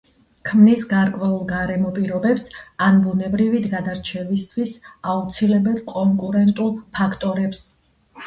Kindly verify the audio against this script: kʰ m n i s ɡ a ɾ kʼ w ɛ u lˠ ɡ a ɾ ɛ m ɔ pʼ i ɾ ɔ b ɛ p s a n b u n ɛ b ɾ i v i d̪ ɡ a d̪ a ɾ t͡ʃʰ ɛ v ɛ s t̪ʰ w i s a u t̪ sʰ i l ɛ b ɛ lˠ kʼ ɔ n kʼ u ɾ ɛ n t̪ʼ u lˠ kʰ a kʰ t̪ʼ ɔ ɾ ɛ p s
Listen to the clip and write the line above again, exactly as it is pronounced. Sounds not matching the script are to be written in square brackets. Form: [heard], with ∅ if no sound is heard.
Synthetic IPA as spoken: kʰ m n i s ɡ a ɾ kʼ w ɛ u lˠ ɡ a ɾ ɛ m ɔ pʼ i ɾ ɔ b ɛ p s a n b u n ɛ b ɾ i v i d̪ ɡ a d̪ a ɾ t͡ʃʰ ɛ v [i] s t̪ʰ w i s a u t̪ sʰ i l ɛ b ɛ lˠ kʼ ɔ [ŋ] kʼ u ɾ ɛ n t̪ʼ u lˠ [pʰ] a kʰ t̪ʼ ɔ ɾ ɛ p s